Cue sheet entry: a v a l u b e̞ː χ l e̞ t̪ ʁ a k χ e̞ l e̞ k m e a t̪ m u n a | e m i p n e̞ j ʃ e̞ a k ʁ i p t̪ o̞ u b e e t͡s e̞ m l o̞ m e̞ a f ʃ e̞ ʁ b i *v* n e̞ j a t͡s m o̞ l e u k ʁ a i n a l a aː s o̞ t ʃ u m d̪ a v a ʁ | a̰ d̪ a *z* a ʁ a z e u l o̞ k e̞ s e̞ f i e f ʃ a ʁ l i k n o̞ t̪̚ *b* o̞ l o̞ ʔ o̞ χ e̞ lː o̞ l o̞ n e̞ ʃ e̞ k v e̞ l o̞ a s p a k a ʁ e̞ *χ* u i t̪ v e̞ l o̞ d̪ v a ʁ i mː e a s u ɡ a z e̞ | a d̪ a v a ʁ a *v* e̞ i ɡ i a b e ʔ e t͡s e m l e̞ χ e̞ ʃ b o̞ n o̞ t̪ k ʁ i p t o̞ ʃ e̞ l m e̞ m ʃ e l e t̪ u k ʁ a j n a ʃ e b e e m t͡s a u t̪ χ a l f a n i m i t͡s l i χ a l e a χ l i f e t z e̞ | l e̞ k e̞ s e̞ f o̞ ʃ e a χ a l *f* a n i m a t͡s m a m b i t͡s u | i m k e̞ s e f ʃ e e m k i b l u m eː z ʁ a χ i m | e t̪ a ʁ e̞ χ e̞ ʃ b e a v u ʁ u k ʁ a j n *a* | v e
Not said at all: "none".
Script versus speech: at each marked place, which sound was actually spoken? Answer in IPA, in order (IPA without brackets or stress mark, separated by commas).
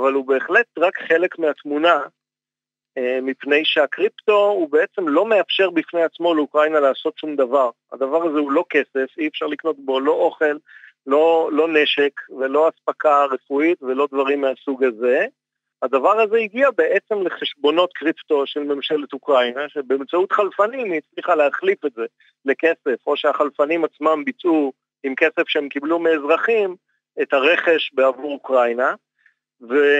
f, v, b, f, z, f, a